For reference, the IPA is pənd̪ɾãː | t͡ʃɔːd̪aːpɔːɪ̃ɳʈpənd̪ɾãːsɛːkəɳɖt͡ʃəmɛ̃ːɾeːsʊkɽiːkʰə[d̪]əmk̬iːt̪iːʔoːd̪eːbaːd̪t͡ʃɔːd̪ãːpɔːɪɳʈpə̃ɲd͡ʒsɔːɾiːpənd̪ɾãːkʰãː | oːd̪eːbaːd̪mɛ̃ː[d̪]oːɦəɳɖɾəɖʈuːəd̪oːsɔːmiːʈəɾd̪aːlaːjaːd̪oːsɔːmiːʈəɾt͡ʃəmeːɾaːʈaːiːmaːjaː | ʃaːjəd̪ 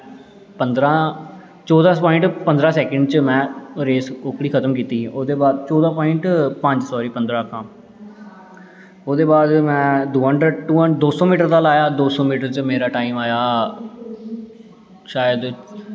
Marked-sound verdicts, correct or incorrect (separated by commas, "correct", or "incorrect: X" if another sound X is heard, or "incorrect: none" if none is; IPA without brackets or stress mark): incorrect: t̪, correct